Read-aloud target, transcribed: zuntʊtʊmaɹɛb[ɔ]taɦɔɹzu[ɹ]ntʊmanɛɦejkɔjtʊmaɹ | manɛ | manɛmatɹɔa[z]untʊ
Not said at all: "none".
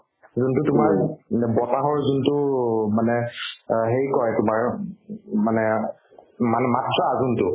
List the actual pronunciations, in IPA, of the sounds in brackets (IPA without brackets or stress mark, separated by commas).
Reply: ɔ, none, z